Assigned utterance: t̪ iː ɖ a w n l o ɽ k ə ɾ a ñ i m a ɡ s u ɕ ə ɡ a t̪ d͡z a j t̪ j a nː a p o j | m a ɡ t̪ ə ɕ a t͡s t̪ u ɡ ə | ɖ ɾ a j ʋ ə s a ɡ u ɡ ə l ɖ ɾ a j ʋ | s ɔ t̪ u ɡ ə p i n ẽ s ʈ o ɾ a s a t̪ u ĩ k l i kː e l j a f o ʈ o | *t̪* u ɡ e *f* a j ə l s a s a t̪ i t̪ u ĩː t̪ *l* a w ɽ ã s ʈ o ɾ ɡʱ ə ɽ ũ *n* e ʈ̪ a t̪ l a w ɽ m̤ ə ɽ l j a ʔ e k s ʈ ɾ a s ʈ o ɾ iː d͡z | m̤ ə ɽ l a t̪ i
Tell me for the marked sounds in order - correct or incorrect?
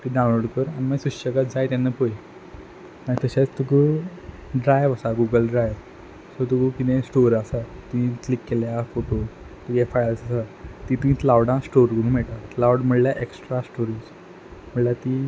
correct, correct, correct, incorrect: m

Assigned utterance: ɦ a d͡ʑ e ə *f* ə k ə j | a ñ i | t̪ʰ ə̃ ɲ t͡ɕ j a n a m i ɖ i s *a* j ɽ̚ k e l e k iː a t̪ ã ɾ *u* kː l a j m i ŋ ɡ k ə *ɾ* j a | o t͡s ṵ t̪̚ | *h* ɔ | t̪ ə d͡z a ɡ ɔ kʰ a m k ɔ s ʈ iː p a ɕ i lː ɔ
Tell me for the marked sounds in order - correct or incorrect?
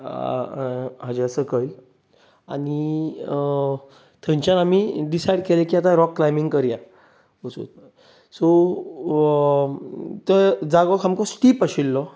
incorrect: s, correct, incorrect: ɔ, correct, incorrect: s

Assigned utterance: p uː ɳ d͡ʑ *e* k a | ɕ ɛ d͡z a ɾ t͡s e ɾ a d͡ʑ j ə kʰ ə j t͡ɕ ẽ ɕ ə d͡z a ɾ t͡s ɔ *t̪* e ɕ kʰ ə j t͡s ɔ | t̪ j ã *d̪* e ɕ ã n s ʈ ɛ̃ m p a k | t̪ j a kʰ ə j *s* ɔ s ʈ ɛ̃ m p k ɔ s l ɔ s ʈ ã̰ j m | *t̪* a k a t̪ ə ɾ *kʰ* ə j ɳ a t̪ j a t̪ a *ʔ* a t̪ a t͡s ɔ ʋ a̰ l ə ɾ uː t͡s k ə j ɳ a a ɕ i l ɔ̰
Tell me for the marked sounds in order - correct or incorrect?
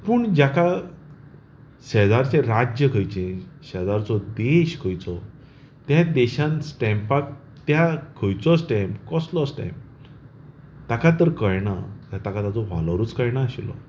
incorrect: a, incorrect: d̪, correct, incorrect: t͡s, correct, incorrect: k, incorrect: k

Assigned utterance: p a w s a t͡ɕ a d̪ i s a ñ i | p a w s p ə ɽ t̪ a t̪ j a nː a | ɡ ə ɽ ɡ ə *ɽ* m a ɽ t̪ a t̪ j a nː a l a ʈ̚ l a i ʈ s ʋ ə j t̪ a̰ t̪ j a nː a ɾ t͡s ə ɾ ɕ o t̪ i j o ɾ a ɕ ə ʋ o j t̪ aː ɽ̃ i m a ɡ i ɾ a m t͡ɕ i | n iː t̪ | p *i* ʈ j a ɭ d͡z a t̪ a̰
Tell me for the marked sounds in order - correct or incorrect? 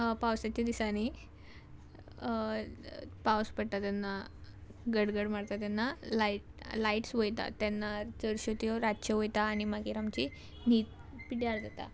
correct, correct

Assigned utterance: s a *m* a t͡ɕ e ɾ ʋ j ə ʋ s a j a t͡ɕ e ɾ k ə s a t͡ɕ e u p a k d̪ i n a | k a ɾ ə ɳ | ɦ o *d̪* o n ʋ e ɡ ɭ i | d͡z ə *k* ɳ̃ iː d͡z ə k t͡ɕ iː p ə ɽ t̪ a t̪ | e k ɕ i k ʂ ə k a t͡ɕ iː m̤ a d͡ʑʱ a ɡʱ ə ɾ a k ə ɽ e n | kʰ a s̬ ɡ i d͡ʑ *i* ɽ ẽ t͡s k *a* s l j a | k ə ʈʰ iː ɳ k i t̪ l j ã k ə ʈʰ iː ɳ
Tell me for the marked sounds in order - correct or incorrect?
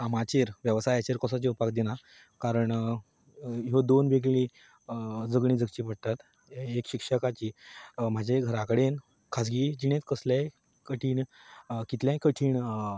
correct, correct, incorrect: ɡ, correct, incorrect: ə

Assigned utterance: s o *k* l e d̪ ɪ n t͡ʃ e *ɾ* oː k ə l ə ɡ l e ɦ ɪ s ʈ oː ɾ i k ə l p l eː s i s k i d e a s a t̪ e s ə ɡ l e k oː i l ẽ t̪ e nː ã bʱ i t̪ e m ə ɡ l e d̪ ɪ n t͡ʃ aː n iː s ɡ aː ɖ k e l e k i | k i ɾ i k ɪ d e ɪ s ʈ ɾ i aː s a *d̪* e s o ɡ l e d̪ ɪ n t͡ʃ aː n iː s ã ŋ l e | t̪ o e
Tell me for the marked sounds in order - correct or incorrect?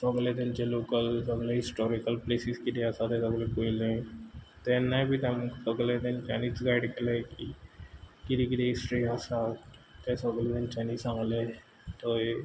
incorrect: ɡ, incorrect: l, incorrect: t̪

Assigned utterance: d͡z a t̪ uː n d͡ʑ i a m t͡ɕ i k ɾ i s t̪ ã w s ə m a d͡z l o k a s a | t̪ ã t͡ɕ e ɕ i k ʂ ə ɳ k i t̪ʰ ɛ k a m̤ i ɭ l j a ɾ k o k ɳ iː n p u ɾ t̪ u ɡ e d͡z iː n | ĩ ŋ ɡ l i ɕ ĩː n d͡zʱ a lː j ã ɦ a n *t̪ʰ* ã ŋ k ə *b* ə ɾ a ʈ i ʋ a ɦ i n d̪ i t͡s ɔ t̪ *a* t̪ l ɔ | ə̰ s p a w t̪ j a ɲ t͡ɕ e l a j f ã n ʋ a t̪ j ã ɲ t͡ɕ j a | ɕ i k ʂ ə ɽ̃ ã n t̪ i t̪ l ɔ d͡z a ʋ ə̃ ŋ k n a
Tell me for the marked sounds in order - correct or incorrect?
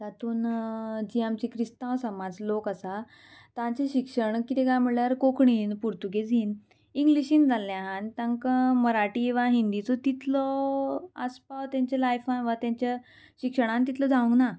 incorrect: t̪, incorrect: m, incorrect: i

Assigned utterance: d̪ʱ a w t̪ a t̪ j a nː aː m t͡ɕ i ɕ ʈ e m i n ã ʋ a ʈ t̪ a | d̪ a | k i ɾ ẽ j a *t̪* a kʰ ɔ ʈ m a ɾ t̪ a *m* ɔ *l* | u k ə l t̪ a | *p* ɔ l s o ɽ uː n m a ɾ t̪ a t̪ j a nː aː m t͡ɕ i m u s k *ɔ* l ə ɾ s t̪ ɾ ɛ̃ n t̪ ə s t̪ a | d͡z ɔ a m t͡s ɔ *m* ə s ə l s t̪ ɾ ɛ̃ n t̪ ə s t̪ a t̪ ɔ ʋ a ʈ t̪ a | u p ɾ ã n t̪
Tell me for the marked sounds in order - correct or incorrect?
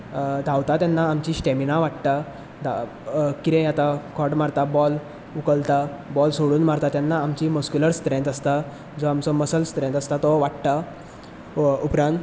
correct, incorrect: b, correct, incorrect: b, incorrect: u, correct

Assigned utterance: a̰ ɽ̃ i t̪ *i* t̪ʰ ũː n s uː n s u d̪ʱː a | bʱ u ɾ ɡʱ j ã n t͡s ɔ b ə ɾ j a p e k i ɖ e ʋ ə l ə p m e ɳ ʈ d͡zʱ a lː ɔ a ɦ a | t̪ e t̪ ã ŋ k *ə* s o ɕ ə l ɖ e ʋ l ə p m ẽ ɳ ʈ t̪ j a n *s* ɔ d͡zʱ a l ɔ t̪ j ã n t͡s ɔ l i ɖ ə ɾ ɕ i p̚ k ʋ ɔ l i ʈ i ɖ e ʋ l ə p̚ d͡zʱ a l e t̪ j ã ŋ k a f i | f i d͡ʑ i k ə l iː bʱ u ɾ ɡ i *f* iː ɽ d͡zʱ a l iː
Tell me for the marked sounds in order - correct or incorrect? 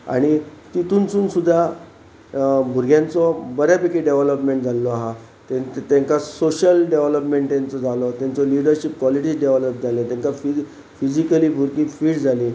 correct, incorrect: a, incorrect: t͡s, correct

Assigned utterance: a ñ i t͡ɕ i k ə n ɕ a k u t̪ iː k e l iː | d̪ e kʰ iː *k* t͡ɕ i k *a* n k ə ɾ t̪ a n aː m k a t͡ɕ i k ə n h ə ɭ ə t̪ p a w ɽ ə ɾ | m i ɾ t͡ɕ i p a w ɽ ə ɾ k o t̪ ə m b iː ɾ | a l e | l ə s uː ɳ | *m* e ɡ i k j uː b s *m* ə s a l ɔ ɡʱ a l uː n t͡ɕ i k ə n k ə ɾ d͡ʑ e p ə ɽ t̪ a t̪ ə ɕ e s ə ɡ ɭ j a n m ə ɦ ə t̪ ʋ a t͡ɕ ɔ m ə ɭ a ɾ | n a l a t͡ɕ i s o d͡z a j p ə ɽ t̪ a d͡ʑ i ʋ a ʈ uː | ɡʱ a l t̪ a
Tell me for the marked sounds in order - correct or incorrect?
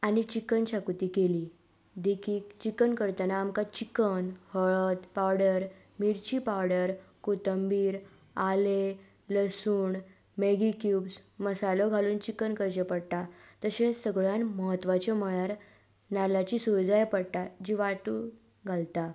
correct, incorrect: ə, correct, correct

